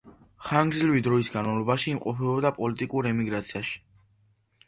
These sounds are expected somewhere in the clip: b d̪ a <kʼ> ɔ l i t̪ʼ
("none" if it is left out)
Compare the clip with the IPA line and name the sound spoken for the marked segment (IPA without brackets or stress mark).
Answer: pʼ